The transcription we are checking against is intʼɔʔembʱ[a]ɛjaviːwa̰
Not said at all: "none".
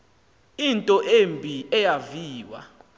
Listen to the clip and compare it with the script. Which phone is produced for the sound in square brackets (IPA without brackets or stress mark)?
i